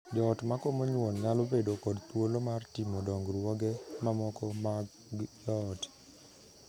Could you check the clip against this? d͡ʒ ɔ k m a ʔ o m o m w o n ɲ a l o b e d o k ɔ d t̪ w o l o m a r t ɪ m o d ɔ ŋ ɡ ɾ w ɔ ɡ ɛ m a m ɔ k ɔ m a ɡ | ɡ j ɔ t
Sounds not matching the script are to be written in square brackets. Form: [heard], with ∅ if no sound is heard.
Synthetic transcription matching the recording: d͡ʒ ɔ [t] m a [k] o m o [ɲ] w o n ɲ a l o b e d o k ɔ d t̪ w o l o m a r t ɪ m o d ɔ ŋ ɡ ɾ w ɔ ɡ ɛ m a m ɔ k ɔ m a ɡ | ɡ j ɔ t